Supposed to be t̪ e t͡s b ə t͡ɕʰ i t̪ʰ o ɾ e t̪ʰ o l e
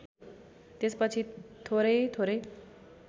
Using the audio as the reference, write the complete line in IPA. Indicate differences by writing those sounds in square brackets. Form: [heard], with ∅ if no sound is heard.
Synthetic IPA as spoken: t̪ e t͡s [p] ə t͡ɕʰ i t̪ʰ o ɾ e t̪ʰ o [ɾ] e

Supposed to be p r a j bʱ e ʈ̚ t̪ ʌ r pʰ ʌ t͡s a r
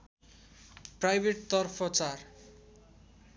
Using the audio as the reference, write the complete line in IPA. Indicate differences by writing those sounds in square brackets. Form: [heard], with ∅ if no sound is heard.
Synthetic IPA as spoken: p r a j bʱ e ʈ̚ t̪ ʌ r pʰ ʌ t͡s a r

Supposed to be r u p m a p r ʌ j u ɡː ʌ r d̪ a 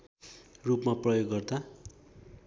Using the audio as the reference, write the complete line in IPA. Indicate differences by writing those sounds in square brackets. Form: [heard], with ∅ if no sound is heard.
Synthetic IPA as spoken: r u p m a p r ʌ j [o] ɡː ʌ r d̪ a

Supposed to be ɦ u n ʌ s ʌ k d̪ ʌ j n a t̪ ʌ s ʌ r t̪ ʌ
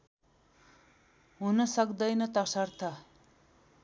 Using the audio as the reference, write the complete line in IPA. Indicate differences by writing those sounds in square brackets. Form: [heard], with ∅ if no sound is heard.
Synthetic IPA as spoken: ɦ u n ʌ s ʌ k d̪ ʌ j n [ʌ] t̪ ʌ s ʌ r [t̪ʰ] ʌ

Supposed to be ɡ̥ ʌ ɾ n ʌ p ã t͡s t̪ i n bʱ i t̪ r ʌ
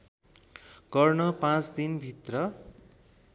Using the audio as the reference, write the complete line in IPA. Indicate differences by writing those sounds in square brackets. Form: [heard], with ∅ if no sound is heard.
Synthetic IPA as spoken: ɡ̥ ʌ [r] n ʌ p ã t͡s [d̪] i n bʱ i t̪ r ʌ

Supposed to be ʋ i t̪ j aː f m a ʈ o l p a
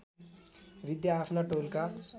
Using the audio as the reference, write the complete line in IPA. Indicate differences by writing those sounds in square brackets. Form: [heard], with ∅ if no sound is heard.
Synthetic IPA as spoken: ʋ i [d̪] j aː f [n] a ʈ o l [k] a

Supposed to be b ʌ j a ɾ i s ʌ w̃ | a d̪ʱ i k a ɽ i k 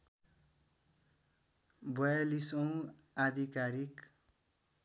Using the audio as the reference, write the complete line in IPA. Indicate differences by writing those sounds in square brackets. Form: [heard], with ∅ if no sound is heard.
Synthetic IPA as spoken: b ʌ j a [l] i s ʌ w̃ | a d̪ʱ i k a [ɾ] i k

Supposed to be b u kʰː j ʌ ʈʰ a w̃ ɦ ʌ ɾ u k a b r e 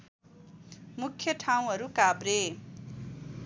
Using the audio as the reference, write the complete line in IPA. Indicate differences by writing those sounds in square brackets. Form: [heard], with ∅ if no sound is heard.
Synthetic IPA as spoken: [m] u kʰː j ʌ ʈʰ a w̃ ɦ ʌ ɾ u k a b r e

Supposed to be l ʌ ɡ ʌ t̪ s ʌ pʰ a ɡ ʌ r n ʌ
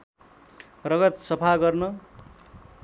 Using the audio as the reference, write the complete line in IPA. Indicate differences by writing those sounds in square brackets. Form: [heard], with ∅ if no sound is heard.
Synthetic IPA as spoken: [r] ʌ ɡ ʌ t̪ s ʌ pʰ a ɡ ʌ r n ʌ

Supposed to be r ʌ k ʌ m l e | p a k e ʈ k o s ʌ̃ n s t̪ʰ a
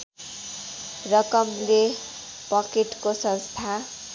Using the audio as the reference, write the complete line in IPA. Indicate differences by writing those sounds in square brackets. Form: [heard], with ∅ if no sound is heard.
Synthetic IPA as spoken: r ʌ k ʌ m l e | p [ʌ] k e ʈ k o s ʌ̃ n s t̪ʰ a

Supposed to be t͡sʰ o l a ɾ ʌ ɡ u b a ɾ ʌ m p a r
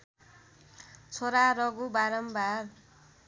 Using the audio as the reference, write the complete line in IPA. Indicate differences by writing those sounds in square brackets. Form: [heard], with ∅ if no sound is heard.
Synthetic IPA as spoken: t͡sʰ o [ɾ] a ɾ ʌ ɡ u b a ɾ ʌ m [b] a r

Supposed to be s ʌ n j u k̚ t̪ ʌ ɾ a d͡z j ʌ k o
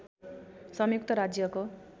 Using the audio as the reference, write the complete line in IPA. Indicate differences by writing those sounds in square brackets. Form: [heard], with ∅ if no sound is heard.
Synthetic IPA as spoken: s ʌ [m] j u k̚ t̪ ʌ ɾ a d͡z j ʌ k o

